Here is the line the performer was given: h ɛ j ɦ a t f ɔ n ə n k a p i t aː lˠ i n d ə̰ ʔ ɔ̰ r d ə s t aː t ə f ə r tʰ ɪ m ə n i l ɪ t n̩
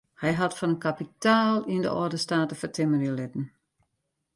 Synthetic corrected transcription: h ɛ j ɦ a t f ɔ n ə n k a p i t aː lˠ i n d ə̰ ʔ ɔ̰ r d ə s t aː t ə f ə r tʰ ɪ m ə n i l ɪ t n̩